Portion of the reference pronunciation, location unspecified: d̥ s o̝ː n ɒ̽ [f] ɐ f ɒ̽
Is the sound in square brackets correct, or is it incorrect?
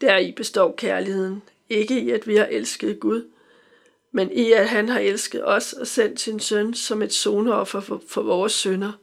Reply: correct